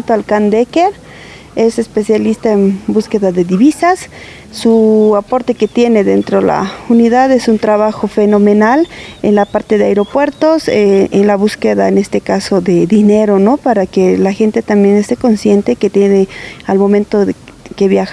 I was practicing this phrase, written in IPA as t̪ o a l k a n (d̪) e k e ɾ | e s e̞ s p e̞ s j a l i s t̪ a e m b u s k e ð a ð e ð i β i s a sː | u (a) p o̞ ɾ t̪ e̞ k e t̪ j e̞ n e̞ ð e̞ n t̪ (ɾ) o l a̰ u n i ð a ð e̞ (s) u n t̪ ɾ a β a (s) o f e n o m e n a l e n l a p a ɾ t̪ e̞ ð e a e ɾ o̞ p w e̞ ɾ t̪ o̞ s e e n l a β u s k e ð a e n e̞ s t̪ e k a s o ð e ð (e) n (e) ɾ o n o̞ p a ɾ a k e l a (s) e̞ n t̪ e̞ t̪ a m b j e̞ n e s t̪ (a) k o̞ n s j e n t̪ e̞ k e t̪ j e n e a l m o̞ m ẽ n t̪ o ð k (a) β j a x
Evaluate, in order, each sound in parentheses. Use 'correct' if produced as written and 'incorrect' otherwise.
correct, correct, correct, correct, incorrect: x, incorrect: i, correct, incorrect: x, incorrect: e, incorrect: e

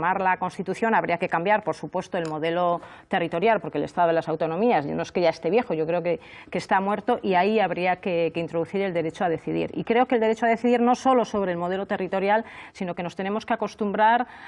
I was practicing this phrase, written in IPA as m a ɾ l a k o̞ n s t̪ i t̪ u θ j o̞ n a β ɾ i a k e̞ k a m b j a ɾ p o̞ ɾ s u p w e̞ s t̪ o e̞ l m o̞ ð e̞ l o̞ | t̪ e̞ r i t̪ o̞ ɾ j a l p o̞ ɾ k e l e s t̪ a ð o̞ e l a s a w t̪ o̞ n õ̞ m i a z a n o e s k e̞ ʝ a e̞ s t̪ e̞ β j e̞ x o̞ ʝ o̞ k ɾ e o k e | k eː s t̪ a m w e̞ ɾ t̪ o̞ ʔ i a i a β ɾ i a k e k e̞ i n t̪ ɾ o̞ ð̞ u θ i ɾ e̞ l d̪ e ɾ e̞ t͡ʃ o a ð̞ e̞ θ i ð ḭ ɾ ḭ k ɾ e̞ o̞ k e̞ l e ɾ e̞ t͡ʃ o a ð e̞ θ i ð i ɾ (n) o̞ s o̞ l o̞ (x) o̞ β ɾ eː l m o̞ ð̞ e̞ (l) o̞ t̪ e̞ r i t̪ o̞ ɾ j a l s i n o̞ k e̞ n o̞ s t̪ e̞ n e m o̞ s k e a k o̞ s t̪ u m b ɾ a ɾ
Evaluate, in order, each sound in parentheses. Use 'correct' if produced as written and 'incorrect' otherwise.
correct, incorrect: s, correct

